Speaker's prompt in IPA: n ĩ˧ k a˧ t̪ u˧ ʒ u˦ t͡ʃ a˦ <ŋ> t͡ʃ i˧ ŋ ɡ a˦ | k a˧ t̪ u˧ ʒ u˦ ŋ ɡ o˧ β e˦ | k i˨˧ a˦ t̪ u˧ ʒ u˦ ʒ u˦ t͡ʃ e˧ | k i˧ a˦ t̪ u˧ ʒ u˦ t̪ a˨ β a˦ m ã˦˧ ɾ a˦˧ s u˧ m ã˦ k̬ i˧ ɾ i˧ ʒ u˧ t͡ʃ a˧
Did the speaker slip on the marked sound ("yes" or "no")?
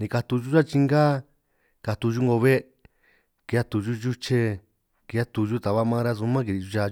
yes